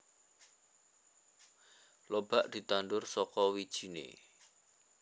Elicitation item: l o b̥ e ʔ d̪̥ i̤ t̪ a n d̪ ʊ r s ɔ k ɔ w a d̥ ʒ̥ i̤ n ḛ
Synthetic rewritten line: l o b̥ a ʔ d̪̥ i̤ t̪ a n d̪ ʊ r s ɔ k ɔ w i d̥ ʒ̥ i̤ n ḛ